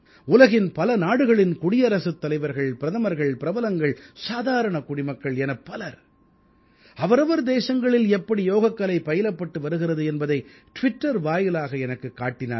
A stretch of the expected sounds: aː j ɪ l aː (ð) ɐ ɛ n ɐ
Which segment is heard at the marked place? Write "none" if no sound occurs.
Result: ɣ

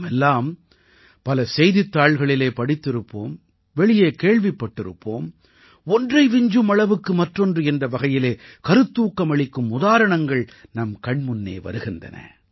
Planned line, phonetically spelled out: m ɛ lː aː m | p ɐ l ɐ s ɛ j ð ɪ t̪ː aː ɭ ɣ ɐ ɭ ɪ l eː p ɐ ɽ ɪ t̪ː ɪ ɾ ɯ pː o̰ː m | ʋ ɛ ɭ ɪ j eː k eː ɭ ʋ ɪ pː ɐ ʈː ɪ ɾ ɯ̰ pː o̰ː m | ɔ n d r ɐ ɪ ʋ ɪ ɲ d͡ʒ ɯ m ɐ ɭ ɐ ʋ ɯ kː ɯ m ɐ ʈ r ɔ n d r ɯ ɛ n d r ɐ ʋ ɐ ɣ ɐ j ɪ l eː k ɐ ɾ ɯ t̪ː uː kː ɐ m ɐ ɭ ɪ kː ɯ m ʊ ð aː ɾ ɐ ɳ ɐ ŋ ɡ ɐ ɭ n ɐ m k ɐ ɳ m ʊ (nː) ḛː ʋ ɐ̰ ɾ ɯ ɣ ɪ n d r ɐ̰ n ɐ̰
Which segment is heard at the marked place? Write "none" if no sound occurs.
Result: nː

